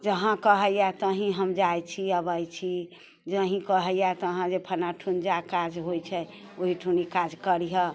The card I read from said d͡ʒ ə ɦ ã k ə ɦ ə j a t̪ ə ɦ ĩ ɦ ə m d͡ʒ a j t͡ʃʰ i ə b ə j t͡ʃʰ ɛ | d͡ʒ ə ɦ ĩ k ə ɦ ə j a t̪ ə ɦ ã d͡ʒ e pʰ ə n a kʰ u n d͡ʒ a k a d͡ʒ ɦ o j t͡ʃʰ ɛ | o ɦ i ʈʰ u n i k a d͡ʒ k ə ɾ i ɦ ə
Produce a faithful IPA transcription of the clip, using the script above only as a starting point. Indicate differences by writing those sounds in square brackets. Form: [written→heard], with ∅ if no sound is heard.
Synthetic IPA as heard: d͡ʒ ə ɦ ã k ə ɦ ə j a t̪ ə ɦ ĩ ɦ ə m d͡ʒ a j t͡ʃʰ i ə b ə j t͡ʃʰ [ɛ→i] | d͡ʒ ə ɦ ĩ k ə ɦ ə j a t̪ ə ɦ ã d͡ʒ e pʰ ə n a [kʰ→ʈʰ] u n d͡ʒ a k a d͡ʒ ɦ o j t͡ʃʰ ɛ | o ɦ i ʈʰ u n i k a d͡ʒ k ə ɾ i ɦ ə